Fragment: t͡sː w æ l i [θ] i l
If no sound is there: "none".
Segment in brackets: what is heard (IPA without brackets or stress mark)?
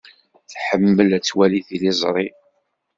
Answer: θ